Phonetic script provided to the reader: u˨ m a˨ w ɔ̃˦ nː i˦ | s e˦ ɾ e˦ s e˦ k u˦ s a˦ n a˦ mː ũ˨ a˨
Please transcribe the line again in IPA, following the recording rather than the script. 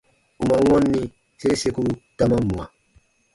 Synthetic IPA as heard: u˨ m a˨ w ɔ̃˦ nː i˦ | s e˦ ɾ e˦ s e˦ k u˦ t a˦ m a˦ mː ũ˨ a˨